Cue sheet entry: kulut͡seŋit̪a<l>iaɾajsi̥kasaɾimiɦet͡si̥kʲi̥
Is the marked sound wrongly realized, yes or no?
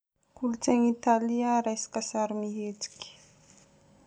no